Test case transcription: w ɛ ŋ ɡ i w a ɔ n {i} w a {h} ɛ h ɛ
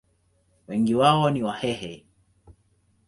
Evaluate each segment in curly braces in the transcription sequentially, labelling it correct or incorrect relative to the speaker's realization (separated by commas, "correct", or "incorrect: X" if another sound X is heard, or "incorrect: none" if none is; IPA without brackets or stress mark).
correct, correct